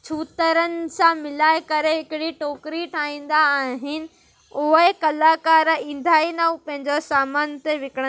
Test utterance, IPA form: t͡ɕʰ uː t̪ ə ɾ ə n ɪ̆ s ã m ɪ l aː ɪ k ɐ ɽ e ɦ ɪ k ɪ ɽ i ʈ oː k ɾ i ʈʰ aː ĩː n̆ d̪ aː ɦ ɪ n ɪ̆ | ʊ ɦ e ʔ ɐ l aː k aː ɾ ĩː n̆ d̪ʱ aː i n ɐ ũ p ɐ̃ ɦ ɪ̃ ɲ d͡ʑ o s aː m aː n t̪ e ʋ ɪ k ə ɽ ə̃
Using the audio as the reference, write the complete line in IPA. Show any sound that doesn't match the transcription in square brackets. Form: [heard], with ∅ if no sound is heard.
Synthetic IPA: t͡ɕʰ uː t̪ ə ɾ ə n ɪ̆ s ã m ɪ l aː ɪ k ɐ [ɾ] e ɦ ɪ k ɪ ɽ i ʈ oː k ɾ i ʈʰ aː ĩː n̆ d̪ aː ɦ ɪ n ɪ̆ | ʊ ɦ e [k] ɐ l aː k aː ɾ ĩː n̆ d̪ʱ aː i n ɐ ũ p ɐ̃ ɦ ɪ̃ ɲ d͡ʑ o s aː m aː n t̪ e ʋ ɪ k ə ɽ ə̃